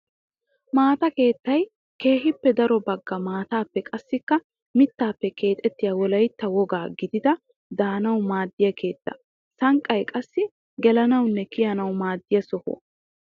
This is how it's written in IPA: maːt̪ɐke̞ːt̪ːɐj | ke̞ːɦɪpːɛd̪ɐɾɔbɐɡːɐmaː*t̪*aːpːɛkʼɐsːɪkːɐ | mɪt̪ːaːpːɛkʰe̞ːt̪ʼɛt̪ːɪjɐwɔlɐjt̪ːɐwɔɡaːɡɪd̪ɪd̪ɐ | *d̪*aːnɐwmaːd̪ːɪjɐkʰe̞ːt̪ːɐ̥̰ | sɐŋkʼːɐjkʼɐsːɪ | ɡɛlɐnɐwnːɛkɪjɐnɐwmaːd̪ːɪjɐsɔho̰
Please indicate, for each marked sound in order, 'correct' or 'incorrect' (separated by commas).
correct, correct